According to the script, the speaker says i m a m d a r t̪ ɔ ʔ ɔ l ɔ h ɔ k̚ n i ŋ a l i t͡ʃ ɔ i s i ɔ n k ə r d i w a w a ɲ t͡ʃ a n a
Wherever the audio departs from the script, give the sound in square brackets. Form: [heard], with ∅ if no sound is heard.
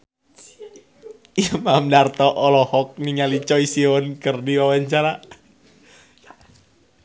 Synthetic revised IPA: i m a m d a r t̪ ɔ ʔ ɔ l ɔ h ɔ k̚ n i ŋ a l i t͡ʃ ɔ i s i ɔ n k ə r d i w a w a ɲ t͡ʃ a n a